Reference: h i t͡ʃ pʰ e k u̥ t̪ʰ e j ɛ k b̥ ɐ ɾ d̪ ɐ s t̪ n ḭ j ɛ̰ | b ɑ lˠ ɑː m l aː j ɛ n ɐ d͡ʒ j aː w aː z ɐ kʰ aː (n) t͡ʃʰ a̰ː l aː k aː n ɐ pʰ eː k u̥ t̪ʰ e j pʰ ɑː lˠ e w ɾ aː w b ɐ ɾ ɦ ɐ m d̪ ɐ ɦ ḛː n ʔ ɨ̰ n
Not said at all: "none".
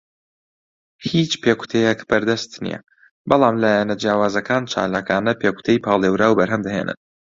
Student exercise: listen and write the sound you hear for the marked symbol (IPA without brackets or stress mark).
n